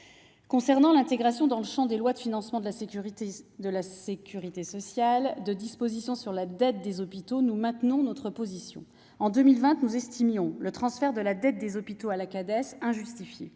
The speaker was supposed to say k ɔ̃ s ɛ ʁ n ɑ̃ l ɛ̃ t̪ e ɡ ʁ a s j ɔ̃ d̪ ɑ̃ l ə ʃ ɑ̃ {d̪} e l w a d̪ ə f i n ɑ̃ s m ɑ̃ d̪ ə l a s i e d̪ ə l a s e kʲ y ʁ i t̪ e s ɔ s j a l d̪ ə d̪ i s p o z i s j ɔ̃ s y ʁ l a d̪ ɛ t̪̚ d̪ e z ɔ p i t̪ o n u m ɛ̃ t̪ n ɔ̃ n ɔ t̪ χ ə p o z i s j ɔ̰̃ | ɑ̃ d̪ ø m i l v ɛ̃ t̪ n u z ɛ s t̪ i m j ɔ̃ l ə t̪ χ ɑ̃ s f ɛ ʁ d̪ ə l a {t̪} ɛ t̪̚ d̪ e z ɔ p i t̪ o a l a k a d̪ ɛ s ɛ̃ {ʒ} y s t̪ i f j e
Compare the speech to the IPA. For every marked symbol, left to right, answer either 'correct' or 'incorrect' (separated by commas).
correct, incorrect, correct